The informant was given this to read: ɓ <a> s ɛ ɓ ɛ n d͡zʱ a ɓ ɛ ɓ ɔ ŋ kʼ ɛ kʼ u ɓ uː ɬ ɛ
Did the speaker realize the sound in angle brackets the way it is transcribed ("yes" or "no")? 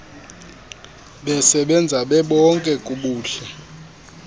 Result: no